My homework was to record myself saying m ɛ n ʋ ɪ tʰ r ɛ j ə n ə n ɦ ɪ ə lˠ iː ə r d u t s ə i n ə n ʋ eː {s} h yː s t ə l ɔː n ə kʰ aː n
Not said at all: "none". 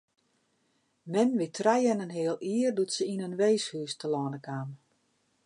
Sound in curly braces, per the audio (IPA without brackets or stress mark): s